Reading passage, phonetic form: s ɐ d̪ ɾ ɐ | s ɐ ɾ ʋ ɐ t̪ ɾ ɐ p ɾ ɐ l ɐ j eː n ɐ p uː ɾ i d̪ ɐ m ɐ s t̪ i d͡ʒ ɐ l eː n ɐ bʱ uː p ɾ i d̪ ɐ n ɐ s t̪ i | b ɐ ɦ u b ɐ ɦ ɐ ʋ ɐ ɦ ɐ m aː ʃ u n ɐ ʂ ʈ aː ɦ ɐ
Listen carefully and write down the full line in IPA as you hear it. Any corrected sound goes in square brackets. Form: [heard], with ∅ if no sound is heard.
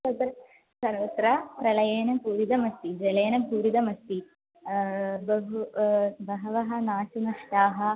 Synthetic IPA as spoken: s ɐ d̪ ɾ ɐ | s ɐ ɾ ʋ ɐ t̪ ɾ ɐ p ɾ ɐ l ɐ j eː n ɐ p uː ɾ i d̪ ɐ m ɐ s t̪ i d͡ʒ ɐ l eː n ɐ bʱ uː [∅] ɾ i d̪ ɐ [m] ɐ s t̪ i | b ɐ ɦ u b ɐ ɦ ɐ ʋ ɐ ɦ ɐ [n] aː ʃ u n ɐ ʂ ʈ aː ɦ ɐ